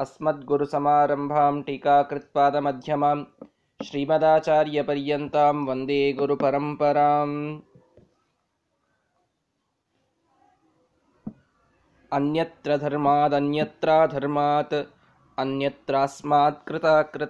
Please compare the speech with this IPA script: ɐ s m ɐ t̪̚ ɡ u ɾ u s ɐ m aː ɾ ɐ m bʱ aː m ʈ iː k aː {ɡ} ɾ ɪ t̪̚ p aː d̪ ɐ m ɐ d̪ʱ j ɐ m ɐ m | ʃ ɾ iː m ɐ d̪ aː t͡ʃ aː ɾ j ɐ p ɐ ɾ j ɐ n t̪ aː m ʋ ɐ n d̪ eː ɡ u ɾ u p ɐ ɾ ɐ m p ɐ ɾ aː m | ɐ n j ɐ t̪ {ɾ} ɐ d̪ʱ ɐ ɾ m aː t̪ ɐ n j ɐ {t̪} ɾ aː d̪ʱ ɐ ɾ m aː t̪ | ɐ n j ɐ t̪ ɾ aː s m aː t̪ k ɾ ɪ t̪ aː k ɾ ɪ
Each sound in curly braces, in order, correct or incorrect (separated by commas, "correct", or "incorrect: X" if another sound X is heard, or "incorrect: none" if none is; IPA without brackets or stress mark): incorrect: k, correct, correct